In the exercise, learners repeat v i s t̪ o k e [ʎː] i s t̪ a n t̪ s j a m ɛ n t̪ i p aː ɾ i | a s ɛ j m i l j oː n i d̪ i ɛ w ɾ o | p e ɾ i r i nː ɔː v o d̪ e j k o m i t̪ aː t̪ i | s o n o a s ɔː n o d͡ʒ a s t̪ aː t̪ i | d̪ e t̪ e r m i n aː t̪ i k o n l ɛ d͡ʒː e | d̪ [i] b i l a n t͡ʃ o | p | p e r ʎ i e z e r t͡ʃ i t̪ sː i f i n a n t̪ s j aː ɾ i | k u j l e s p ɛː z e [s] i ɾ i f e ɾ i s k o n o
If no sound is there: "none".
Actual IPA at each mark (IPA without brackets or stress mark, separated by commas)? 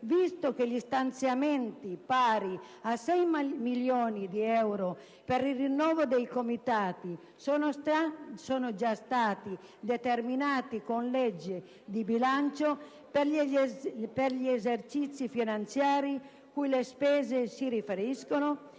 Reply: ʎ, i, s